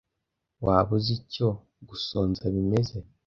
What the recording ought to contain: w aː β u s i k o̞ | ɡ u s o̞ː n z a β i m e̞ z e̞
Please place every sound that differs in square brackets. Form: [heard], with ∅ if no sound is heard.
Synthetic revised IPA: w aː β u [z] i [c] o̞ | ɡ u s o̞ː n z a β i m e̞ z e̞